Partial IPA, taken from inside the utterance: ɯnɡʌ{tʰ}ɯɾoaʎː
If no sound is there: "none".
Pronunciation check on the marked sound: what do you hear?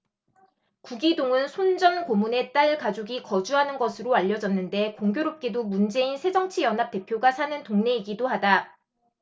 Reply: sʰ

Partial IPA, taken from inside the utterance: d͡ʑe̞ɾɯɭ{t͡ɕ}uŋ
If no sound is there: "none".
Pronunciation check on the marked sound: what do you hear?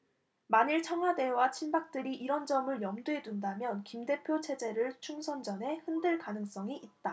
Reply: t͡ɕʰ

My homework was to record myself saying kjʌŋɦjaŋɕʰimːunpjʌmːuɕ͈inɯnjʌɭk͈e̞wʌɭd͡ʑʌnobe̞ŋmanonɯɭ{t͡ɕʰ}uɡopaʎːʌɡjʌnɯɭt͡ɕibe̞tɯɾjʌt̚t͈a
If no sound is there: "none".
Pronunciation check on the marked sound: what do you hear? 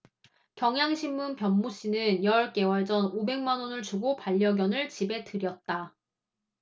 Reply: t͡ɕ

